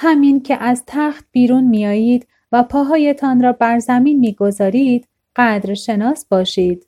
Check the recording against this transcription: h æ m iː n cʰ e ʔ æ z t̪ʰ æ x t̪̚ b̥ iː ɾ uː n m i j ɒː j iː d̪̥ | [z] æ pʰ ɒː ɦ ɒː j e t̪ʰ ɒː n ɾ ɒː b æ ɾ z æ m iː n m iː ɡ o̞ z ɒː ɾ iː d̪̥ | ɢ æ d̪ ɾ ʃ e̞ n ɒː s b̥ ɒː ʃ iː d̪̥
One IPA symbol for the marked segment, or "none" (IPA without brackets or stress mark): v